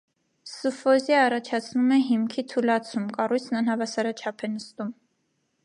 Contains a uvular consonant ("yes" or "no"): no